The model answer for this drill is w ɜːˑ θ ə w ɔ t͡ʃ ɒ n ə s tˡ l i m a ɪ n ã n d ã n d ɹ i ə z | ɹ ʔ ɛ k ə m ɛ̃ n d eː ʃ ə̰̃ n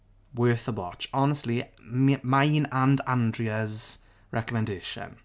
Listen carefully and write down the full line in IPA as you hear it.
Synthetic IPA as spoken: w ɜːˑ θ ə w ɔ t͡ʃ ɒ n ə s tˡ l i m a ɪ n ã n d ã n d ɹ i ə z | ɹ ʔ ɛ k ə m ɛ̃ n d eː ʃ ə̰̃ n